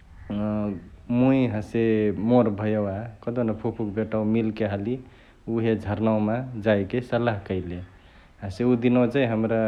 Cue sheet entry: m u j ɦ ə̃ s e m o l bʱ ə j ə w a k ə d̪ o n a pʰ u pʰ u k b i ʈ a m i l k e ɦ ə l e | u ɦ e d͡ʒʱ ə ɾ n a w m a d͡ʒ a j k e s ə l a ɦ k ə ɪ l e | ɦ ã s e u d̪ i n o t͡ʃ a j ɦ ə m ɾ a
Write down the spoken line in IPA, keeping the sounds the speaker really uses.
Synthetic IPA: m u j ɦ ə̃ s e m o ɾ bʱ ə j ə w a k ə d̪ o n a pʰ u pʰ u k b e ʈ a m i l k e ɦ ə l i | u ɦ e d͡ʒʱ ə ɾ n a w m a d͡ʒ a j k e s ə l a ɦ k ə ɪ l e | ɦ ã s e u d̪ i n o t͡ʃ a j ɦ ə m ɾ a

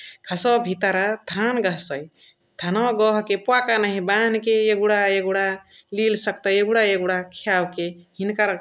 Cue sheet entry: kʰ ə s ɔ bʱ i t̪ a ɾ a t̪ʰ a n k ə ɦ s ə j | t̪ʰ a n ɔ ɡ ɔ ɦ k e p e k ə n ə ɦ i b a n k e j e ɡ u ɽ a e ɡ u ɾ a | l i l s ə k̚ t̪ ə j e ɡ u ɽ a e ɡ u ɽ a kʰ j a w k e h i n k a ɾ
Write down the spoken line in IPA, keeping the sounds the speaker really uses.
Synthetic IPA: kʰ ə s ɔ bʱ i t̪ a ɾ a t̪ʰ a n ɡ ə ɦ s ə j | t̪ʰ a n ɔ ɡ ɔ ɦ k e p a k a n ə ɦ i b a n k e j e ɡ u ɽ a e ɡ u ɽ a | l i l s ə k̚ t̪ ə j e ɡ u ɽ a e ɡ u ɽ a kʰ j a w k e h i n k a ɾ

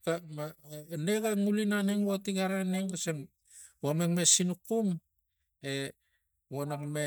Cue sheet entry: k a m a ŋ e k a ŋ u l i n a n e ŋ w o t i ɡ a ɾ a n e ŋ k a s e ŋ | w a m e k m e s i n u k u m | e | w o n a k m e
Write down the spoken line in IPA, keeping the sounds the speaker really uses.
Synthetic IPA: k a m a n e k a ŋ u l i n a n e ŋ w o t i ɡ a ɾ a n e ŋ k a s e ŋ | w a m e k m e s i n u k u m | e | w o n a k m e

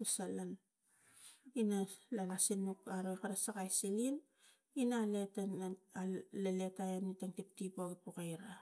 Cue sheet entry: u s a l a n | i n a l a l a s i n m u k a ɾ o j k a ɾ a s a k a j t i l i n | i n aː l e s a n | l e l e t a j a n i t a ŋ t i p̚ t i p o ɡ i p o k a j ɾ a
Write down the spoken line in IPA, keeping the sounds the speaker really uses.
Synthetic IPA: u s a l a n | i n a l a l a s i n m u k a ɾ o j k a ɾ a s a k a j s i l i n | i n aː l e t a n | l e l e t a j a n i t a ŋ t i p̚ t i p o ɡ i p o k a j ɾ a

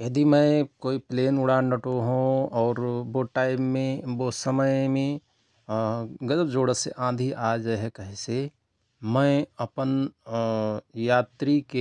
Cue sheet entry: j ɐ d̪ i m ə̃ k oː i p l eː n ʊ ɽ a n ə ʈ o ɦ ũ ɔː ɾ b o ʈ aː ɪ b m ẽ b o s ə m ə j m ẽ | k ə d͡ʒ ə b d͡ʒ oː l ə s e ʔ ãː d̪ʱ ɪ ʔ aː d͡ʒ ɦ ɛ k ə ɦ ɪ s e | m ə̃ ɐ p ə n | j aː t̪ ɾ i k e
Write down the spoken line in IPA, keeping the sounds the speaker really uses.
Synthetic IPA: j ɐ d̪ i m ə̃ k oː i p l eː n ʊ ɽ a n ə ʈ o ɦ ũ ɔː ɾ b o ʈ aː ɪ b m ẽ b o s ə m ə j m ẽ | ɡ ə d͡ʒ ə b d͡ʒ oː ɽ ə s e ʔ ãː d̪ʱ i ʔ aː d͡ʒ ɦ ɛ k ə ɦ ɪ s e | m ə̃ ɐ p ə n | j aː t̪ ɾ i k e

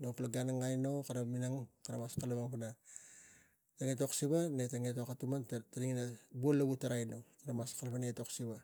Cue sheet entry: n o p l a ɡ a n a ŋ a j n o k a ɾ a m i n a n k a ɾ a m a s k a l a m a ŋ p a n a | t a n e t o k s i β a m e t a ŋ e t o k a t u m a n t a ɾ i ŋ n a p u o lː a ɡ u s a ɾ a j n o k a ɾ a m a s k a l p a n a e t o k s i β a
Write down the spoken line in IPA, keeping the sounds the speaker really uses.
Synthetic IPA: n o p l a ɡ a n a ŋ a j n o k a ɾ a m i n a ŋ k a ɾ a m a s k a l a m a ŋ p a n a | t a ŋ e t o k s i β a n e t a ŋ e t o k a t u m a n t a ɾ i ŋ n a b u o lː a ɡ u t a ɾ a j n o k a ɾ a m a s k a l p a n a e t o k s i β a

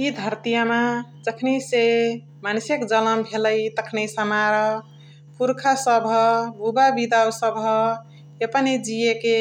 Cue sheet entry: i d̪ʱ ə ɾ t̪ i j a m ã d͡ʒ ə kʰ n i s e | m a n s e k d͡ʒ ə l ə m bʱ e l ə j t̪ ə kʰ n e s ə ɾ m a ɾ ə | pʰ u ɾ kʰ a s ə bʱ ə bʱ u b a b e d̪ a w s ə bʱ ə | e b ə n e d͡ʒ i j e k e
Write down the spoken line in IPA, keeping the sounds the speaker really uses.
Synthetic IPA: i d̪ʱ ə ɾ t̪ i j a m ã d͡ʒ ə kʰ n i s e | m a n s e k d͡ʒ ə l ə m bʱ e l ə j t̪ ə kʰ n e s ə m a ɾ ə | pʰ u ɾ kʰ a s ə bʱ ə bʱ u b a b i d̪ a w s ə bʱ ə | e p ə n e d͡ʒ i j e k e

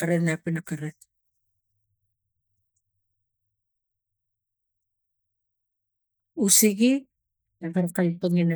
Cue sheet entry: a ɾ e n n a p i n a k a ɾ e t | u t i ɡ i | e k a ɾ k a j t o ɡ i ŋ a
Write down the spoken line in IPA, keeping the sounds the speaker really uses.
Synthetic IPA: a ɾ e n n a p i n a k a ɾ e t | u s i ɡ i | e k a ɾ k a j t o ŋ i n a

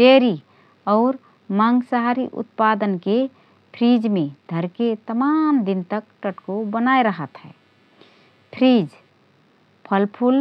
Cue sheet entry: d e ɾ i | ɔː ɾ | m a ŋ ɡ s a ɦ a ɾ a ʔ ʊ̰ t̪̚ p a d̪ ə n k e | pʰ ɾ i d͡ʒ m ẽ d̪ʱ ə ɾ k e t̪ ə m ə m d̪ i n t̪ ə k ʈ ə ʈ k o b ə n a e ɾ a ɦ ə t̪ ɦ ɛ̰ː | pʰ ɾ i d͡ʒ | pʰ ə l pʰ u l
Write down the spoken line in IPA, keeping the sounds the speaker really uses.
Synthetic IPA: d e ɾ i | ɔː ɾ | m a ŋ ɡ s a ɦ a ɾ i ʔ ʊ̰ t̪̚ p a d̪ ə n k e | pʰ ɾ i d͡ʒ m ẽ d̪ʱ ə ɾ k e t̪ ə m a m d̪ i n t̪ ə k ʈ ə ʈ k o b ə n a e ɾ ə ɦ ə t̪ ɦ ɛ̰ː | pʰ ɾ i d͡ʒ | pʰ ə l pʰ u l

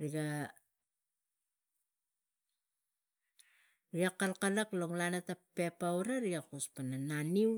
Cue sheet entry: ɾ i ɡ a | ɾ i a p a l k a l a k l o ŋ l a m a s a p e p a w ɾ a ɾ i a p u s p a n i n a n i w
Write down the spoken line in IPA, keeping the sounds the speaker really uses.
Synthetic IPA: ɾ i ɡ a | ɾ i a k a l k a l a k l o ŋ l a n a t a p e p a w ɾ a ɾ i a k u s p a n a n a n i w

